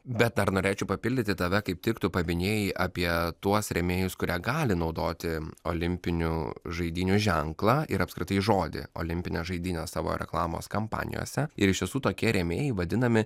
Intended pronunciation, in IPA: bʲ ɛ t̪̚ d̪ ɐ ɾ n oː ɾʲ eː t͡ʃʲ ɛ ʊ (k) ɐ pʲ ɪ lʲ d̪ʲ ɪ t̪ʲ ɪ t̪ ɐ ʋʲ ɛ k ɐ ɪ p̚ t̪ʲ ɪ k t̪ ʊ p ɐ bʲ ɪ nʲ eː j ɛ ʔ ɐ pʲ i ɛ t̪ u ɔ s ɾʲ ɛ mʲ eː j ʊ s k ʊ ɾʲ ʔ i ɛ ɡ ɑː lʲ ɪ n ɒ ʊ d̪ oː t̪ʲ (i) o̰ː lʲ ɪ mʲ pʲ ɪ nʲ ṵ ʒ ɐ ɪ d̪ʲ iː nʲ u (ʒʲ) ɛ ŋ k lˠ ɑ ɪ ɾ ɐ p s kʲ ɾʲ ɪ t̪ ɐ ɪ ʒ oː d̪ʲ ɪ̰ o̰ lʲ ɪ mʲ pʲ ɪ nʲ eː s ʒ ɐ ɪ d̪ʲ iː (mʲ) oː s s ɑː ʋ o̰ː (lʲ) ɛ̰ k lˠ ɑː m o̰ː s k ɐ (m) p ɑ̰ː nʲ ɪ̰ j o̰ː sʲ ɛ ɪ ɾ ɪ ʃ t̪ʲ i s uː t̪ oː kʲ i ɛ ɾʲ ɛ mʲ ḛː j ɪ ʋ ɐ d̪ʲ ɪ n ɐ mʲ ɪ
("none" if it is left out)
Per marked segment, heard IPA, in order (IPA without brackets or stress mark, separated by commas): p, ɪ, ʒʲ, nʲ, ɾʲ, m